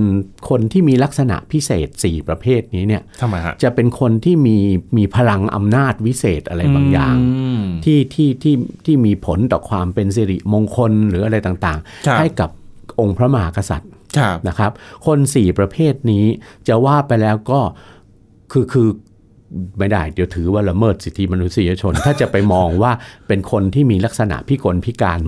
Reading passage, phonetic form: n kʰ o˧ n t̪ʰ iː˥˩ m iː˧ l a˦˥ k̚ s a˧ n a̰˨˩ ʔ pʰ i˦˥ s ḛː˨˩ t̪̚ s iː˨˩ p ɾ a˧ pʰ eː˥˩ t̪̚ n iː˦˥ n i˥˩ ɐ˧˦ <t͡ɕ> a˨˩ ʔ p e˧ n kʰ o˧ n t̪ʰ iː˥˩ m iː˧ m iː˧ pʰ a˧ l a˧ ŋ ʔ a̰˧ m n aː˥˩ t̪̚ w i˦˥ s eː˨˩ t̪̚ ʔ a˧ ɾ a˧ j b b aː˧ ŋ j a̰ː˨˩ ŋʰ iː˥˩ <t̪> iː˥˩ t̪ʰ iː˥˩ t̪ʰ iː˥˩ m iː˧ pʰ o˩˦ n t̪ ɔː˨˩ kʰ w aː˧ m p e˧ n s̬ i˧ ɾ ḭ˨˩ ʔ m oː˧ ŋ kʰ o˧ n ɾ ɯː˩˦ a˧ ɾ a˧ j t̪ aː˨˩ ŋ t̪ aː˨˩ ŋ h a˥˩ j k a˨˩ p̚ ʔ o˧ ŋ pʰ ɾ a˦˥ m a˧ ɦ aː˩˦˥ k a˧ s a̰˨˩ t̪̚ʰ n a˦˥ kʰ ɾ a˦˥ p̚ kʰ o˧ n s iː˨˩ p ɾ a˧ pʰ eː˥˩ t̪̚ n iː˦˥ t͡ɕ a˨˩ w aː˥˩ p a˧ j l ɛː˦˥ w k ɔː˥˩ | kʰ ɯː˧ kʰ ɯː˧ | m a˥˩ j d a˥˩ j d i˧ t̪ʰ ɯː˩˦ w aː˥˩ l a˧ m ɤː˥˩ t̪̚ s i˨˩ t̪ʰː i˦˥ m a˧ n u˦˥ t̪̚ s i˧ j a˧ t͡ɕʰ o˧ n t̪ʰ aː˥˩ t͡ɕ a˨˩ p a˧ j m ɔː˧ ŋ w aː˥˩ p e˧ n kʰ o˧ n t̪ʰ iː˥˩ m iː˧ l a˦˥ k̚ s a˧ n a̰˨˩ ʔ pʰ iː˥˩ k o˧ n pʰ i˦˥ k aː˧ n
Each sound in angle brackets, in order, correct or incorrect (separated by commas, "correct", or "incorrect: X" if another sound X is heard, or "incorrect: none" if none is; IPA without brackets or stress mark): correct, incorrect: t̪ʰ